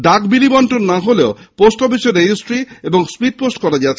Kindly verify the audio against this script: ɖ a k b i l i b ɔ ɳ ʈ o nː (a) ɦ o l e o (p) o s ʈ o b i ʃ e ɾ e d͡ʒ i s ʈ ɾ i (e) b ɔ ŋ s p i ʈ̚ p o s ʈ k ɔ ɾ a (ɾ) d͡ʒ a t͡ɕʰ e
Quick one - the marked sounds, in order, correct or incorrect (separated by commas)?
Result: correct, correct, correct, incorrect